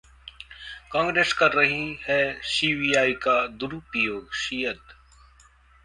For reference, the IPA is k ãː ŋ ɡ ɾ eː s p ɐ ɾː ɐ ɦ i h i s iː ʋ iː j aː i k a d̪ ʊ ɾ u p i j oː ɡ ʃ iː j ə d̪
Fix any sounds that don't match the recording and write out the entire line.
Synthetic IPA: k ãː ŋ ɡ ɾ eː s k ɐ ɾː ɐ ɦ i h ɛ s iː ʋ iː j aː i k a d̪ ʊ ɾ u p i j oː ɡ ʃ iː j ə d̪